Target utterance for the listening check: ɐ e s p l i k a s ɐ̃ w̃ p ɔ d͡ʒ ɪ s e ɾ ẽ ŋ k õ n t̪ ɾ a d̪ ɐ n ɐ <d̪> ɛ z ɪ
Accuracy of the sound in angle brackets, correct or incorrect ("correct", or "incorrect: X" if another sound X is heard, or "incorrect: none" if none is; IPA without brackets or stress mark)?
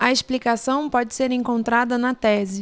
incorrect: t̪